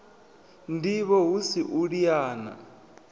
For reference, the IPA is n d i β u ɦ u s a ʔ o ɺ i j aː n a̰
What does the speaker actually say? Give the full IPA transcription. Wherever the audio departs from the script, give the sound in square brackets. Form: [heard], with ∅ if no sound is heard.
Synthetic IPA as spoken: n d i β [ɔ] ɦ u s [i] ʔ [u] ɺ i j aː n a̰